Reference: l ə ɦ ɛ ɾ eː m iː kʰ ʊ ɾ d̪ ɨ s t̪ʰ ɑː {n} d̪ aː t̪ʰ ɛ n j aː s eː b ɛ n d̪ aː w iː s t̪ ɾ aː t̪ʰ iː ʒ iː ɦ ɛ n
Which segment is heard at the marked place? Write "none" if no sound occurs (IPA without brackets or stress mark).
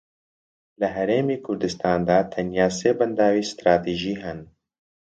n